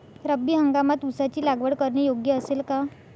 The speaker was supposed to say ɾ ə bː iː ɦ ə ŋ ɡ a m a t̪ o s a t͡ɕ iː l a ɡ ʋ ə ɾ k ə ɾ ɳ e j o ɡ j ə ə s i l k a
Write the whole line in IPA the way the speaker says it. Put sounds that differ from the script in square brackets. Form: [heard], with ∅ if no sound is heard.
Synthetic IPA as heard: ɾ ə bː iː ɦ ə ŋ ɡ a m a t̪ [u] s a t͡ɕ iː l a ɡ ʋ ə [ɽ] k ə ɾ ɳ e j o ɡ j ə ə s [e] l k a